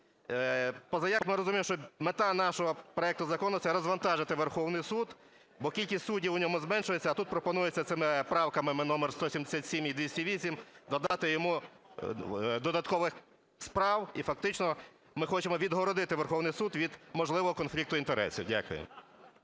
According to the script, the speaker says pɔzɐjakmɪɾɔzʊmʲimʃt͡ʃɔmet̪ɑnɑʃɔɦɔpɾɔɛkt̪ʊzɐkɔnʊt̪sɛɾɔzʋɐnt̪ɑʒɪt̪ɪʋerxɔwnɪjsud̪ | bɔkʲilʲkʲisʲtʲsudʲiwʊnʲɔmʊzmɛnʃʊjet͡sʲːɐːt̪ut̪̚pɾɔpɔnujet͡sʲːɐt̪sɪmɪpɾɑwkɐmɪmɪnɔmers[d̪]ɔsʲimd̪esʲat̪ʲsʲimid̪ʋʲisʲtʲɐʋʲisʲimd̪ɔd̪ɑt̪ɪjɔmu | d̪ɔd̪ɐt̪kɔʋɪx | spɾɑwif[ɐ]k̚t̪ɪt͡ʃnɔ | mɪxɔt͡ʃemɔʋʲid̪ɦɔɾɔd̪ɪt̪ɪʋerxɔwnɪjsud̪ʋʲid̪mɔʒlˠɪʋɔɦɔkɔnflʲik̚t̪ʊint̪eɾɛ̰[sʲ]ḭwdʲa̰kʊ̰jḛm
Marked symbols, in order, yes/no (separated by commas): no, yes, yes